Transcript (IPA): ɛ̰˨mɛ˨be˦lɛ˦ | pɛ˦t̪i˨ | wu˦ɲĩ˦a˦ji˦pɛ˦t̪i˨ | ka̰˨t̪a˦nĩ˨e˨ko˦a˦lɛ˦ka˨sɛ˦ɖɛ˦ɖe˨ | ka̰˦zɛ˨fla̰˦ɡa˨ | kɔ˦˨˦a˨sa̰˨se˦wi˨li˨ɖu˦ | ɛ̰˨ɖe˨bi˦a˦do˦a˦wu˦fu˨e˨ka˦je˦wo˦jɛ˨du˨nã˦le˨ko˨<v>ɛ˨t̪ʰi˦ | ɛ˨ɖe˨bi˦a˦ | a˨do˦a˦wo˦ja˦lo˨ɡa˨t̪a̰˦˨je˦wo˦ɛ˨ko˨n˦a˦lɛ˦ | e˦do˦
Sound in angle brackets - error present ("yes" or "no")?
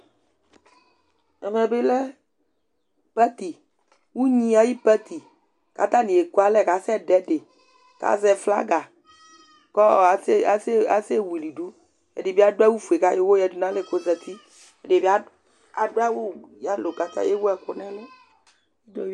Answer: yes